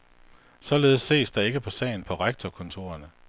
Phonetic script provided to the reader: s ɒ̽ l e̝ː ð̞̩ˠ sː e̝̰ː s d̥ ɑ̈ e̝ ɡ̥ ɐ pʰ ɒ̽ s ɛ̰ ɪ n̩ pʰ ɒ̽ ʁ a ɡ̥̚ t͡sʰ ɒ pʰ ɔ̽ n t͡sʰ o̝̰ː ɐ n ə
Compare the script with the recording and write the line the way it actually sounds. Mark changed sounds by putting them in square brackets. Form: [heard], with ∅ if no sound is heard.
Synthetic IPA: s ɒ̽ l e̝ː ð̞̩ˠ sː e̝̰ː s d̥ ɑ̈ e̝ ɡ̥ [ə] pʰ ɒ̽ s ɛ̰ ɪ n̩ pʰ ɒ̽ ʁ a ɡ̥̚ t͡sʰ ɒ [kʰ] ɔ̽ n t͡sʰ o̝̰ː ɐ n ə